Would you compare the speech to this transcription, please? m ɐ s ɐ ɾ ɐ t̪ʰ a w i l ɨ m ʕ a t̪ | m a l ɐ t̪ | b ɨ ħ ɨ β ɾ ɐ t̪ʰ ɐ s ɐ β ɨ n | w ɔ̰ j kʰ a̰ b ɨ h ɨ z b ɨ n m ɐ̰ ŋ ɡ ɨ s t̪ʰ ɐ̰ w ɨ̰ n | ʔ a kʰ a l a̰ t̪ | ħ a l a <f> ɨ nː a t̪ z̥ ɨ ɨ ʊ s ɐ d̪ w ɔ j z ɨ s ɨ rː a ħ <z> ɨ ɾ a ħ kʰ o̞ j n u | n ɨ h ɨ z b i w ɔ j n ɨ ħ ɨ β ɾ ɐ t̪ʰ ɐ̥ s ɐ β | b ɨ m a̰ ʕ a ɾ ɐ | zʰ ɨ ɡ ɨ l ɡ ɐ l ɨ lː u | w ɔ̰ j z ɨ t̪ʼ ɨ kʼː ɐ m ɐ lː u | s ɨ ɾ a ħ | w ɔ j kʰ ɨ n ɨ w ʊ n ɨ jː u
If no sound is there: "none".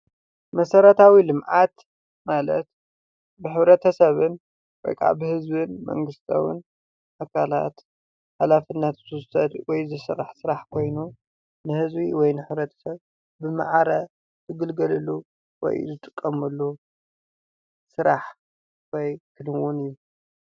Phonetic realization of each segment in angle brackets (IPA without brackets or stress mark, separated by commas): f, s